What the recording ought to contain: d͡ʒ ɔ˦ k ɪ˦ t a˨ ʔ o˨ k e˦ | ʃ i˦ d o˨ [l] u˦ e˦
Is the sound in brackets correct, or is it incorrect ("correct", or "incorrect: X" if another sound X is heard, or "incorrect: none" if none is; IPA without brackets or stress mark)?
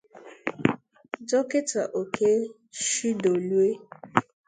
correct